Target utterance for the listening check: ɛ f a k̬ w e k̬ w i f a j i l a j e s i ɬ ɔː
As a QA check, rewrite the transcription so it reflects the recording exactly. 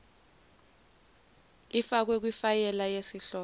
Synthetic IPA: i f a k̬ w e k̬ w i f a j ɛ l a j e s i ɬ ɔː